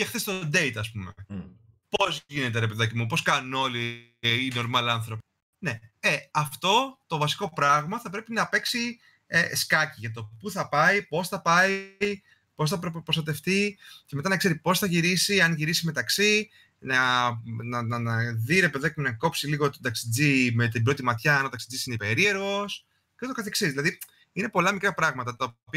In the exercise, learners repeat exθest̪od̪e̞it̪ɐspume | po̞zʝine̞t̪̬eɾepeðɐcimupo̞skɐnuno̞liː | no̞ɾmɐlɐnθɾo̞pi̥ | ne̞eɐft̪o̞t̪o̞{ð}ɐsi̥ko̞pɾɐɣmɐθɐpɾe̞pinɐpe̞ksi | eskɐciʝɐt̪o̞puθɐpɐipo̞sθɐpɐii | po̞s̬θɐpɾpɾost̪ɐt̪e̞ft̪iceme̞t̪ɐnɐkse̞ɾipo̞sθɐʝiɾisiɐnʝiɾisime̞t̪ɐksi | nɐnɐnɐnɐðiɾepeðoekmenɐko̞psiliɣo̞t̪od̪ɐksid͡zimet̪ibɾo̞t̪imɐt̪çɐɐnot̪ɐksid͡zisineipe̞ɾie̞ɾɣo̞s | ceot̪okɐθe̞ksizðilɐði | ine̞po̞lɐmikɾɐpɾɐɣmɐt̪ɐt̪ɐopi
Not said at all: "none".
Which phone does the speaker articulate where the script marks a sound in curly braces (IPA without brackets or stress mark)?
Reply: v